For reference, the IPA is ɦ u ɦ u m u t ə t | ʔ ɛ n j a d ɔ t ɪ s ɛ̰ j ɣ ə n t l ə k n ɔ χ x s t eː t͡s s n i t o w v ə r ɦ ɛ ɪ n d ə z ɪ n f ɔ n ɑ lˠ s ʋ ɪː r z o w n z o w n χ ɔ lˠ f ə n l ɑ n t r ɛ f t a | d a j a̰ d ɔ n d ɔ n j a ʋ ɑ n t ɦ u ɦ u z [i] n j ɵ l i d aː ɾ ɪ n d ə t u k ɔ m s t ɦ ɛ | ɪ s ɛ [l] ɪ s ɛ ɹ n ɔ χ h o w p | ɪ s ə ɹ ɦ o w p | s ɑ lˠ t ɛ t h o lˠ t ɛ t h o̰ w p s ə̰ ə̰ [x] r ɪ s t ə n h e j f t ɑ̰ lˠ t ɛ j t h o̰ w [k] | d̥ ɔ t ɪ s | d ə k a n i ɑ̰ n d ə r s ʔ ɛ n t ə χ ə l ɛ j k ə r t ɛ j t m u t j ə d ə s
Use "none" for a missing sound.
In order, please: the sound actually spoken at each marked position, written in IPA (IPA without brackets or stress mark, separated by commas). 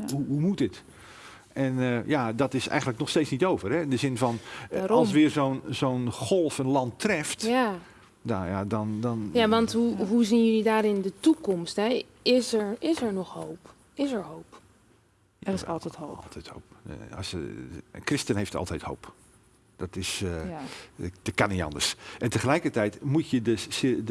i, ɹ, k, p